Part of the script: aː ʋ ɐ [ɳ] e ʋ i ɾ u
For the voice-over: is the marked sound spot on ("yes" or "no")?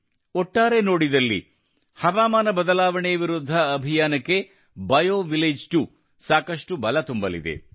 yes